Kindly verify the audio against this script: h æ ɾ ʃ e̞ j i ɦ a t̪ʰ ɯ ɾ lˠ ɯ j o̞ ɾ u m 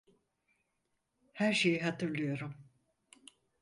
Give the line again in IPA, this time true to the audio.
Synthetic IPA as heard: h æ ɾ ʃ e̞ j i ɦ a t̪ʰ ɯ ɾ lˠ ɯ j o̞ ɾ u m